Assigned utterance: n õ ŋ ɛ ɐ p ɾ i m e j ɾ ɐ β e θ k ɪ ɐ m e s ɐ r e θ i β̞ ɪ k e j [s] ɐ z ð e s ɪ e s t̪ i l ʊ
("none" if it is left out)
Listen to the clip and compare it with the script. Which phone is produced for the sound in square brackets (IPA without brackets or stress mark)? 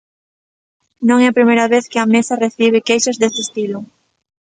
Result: ʃ